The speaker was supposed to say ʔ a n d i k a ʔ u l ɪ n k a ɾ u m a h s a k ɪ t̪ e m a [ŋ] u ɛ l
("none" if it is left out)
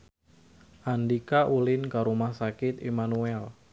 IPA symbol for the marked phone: n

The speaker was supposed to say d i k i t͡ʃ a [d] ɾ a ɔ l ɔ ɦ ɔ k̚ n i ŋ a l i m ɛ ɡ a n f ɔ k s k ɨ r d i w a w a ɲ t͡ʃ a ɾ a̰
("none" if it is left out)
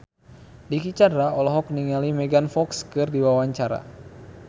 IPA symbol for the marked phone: d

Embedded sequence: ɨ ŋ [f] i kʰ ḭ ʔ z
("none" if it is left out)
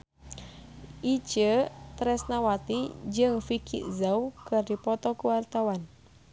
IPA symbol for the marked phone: f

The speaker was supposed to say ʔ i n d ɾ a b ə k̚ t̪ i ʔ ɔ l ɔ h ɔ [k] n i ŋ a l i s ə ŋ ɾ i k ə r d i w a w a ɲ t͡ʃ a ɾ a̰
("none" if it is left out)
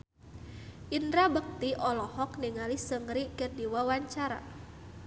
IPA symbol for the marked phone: k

